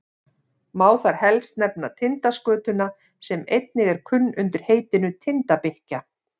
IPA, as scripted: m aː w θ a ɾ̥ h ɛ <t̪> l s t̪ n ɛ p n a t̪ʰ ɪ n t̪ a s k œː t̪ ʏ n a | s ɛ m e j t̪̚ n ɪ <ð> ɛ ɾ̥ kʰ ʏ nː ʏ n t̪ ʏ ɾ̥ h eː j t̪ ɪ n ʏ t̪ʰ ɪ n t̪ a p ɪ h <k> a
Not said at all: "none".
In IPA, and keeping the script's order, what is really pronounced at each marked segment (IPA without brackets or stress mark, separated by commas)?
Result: none, ɣ, c